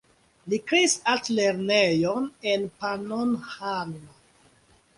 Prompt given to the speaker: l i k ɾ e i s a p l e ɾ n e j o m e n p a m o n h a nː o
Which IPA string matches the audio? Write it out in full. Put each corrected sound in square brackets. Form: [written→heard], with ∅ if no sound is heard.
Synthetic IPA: l i k ɾ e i s a [p→t] l e ɾ n e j o [m→n] e n p a [m→n] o n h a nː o